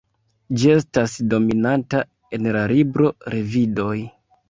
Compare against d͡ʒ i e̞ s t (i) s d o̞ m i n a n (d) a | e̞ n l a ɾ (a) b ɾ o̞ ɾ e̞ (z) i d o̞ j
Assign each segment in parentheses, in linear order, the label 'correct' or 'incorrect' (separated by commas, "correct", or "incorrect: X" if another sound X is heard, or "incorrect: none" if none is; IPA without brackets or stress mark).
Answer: incorrect: a, incorrect: t, incorrect: i, incorrect: v